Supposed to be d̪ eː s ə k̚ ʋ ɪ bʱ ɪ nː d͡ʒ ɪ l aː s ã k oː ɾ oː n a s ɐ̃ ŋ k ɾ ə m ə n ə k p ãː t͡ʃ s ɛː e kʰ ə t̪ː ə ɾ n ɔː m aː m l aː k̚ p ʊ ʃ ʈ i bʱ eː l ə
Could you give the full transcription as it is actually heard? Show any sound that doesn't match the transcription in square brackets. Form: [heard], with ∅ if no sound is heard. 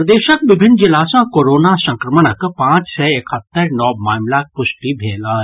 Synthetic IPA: d̪ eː [ʃ] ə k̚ ʋ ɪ bʱ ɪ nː d͡ʒ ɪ l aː s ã k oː ɾ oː n a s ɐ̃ ŋ k ɾ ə m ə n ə k p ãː t͡ʃ s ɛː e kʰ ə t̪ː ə ɾ n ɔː m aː m l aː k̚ p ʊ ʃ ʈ i bʱ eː l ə